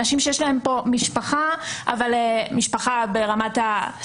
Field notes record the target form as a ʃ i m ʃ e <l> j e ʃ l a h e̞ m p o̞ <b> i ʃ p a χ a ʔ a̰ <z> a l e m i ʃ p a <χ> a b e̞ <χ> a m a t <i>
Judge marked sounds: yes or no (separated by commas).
no, no, no, yes, no, no